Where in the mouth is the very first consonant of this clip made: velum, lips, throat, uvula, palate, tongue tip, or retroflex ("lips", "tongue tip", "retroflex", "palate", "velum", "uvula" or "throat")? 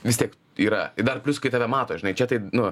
lips